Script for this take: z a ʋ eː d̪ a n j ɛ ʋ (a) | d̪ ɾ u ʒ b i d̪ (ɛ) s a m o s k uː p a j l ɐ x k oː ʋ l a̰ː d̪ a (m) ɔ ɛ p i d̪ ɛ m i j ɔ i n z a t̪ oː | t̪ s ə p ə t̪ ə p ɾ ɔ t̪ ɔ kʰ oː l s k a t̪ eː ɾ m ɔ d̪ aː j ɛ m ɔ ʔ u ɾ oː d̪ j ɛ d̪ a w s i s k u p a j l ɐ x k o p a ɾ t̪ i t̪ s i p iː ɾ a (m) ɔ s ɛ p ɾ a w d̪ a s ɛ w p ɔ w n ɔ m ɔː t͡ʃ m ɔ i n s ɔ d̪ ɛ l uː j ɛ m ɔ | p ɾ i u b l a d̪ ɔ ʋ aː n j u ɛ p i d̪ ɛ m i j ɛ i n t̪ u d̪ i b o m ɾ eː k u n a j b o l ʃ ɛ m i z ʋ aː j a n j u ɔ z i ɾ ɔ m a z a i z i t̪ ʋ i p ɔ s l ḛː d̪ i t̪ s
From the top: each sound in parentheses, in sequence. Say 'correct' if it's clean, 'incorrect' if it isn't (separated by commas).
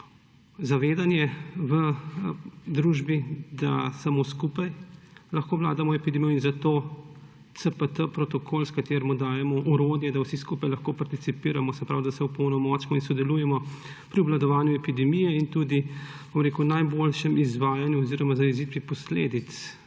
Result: incorrect, incorrect, correct, correct